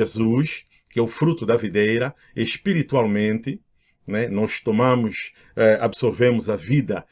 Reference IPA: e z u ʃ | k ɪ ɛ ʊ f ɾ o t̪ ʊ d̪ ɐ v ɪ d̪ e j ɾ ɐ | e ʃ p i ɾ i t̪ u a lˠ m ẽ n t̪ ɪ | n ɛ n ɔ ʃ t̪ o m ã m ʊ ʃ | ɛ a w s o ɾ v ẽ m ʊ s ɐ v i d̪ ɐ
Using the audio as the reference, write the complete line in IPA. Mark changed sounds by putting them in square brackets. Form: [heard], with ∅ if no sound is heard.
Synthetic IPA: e z u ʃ | k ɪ ɛ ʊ f ɾ [u] t̪ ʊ d̪ ɐ v [i] d̪ e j ɾ ɐ | e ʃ p i ɾ i t̪ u a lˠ m ẽ n t̪ ɪ | n ɛ n ɔ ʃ t̪ o m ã m ʊ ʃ | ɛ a [b] s o ɾ v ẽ m ʊ [z] ɐ v i d̪ ɐ